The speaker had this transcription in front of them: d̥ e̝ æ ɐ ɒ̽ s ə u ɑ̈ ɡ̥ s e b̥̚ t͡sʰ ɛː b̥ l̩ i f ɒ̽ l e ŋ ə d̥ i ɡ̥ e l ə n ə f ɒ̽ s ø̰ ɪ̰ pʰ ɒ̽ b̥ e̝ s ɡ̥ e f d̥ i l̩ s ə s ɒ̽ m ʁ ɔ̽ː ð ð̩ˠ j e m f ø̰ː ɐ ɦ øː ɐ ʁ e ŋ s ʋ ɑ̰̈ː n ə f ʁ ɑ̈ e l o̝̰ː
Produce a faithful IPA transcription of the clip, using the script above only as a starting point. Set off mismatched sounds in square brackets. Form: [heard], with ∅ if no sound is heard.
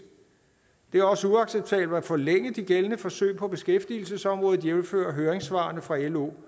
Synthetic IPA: d̥ e̝ æ ɐ ɒ̽ s ə u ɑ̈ ɡ̥ s e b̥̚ t͡sʰ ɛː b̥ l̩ [æ] f ɒ̽ l e ŋ ə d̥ i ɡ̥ e l ə n ə f ɒ̽ s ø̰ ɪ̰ pʰ ɒ̽ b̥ e̝ s ɡ̥ e f d̥ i l̩ s ə s ɒ̽ m ʁ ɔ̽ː ð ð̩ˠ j e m f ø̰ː ɐ ɦ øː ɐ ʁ e ŋ s ʋ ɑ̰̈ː n ə f ʁ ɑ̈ e l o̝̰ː